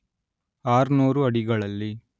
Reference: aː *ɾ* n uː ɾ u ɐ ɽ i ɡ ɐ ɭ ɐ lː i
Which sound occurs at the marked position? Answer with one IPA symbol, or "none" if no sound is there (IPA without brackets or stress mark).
ɾ